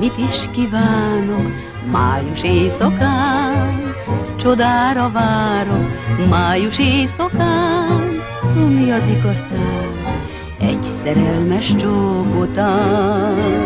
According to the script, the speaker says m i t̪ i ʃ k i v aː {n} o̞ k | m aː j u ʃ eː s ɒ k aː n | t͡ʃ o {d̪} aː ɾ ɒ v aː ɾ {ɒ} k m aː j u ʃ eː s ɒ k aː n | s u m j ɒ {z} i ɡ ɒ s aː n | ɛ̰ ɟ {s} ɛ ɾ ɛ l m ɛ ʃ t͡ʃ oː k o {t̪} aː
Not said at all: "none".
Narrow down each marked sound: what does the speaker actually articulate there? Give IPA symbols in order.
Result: n, d̪, o, z, s, t̪

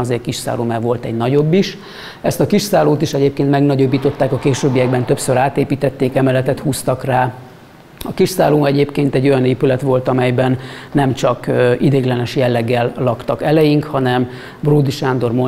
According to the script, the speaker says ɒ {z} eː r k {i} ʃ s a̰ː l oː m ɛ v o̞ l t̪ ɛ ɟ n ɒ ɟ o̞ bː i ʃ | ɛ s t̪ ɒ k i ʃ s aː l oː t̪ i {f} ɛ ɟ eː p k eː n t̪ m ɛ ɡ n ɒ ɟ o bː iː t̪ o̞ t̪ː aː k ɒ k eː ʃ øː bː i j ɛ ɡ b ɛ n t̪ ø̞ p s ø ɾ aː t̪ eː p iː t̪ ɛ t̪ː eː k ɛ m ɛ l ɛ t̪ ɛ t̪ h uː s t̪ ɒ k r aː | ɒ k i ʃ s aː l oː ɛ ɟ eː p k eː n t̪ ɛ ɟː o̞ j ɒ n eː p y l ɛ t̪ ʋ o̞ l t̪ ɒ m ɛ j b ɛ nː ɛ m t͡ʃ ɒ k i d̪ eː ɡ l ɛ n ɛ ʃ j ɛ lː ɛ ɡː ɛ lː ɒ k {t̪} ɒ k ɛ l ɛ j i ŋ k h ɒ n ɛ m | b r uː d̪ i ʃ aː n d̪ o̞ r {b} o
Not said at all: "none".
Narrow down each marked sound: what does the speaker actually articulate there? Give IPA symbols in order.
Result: z, i, ʃ, t̪, m

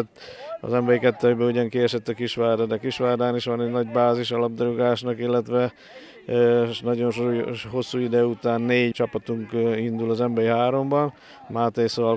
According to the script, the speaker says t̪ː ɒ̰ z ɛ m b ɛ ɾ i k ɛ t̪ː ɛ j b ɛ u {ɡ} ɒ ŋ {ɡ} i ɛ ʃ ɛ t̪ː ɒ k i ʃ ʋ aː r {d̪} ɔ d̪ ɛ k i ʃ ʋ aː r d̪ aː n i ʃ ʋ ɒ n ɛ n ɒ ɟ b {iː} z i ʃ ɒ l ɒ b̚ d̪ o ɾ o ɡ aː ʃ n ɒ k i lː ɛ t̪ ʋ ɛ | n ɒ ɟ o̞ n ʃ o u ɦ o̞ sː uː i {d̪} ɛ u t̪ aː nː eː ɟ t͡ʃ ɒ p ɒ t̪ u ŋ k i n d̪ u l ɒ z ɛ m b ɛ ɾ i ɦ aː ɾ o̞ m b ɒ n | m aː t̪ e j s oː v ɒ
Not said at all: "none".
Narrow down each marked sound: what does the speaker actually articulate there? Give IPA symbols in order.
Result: ɟ, k, d̪, aː, d̪

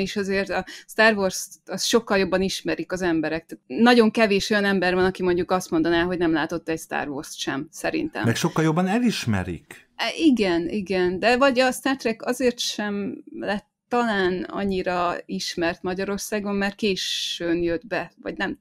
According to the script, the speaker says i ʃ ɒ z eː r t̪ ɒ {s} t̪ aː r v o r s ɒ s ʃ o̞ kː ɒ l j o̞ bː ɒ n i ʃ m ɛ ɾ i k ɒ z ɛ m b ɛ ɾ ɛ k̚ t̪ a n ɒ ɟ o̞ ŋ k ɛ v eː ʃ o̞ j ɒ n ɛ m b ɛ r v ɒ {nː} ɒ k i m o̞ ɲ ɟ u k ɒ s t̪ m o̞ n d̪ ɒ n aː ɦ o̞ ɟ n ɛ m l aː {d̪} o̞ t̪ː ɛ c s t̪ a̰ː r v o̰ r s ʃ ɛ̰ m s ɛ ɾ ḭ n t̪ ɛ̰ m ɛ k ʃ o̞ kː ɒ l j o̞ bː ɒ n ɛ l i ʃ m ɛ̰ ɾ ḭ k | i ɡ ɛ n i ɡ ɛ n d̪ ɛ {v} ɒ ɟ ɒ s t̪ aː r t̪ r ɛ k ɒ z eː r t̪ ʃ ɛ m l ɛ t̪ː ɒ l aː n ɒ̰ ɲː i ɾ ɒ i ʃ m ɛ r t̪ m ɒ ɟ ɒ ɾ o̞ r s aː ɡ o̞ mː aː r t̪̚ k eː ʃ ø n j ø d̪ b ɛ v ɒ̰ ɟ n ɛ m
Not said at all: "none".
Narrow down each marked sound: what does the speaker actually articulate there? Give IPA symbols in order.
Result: s, n, t̪, v

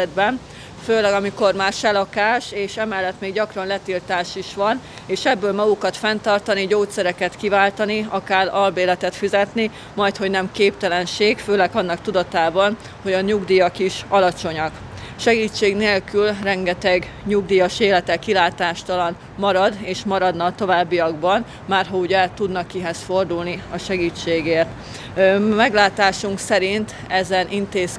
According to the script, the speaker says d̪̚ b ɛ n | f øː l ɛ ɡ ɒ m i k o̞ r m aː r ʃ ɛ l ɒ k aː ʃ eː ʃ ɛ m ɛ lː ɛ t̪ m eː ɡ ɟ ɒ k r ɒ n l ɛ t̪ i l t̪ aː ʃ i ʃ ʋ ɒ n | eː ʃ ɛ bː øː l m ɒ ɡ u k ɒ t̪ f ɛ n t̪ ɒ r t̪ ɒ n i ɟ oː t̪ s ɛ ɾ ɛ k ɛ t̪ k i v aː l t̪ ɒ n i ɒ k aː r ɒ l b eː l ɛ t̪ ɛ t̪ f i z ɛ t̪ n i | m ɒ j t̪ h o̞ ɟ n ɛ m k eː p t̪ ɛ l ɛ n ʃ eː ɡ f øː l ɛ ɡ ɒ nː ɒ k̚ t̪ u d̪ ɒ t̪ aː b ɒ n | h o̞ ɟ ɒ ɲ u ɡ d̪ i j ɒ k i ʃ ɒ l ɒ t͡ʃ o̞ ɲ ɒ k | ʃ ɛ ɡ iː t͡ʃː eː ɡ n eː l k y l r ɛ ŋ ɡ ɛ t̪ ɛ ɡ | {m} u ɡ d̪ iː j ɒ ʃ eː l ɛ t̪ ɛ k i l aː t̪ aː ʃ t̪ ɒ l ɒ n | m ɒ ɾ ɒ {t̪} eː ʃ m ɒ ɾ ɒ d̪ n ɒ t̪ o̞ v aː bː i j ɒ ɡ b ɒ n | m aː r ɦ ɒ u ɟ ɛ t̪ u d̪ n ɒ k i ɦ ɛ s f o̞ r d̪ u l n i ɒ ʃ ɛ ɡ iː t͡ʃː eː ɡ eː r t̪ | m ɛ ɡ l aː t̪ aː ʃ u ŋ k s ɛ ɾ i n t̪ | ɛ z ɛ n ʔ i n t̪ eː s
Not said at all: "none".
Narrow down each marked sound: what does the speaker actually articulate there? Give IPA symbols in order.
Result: ɲ, d̪

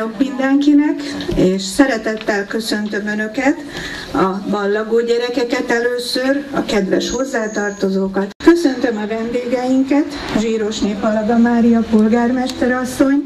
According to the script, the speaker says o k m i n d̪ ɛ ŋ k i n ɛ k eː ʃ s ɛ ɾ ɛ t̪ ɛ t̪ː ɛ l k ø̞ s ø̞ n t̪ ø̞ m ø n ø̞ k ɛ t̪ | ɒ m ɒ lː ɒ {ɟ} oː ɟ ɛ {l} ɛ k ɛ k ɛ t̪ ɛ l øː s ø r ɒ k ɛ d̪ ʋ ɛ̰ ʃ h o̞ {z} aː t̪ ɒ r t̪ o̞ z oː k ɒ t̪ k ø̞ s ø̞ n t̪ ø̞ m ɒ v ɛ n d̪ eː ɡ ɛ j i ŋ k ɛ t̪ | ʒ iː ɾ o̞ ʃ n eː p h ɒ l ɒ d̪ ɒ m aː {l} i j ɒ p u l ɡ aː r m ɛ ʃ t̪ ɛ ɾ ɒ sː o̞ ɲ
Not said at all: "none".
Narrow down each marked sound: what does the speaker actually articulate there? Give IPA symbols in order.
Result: ɡ, ɾ, zː, ɾ

